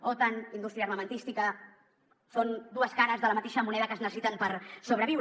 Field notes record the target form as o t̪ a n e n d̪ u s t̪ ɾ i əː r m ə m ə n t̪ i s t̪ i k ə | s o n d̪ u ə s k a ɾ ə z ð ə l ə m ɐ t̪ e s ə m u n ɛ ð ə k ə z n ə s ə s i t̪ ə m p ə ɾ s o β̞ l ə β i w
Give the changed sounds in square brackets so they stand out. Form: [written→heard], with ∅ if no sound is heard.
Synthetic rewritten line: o t̪ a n [e→i] n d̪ u s t̪ ɾ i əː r m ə m ə n t̪ i s t̪ i k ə | s o n d̪ u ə s k a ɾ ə z ð ə l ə m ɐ t̪ e [s→ʃ] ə m u n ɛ ð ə k ə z n ə s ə s i t̪ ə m p ə ɾ s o β̞ [l→ɾ] ə β i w